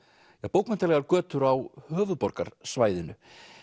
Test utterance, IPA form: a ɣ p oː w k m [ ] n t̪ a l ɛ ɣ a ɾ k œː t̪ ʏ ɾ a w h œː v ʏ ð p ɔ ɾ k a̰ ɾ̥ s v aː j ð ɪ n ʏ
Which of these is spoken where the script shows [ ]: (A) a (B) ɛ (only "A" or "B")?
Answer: B